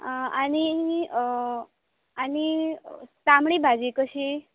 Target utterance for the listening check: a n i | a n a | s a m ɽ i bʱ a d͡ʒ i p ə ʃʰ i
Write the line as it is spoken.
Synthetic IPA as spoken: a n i | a n i | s a m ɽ i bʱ a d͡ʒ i k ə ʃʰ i